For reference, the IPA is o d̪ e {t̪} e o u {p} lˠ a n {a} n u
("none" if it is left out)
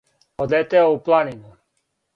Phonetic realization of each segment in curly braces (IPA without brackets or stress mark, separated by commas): t̪, p, i